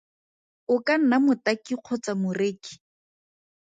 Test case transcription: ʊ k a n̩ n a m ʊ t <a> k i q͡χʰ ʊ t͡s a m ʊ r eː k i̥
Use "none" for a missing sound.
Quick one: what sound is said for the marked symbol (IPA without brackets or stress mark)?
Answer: a